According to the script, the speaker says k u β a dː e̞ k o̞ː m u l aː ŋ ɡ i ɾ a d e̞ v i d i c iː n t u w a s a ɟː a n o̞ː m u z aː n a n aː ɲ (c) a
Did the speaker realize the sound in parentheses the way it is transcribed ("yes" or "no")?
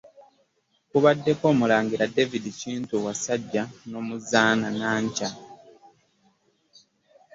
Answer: yes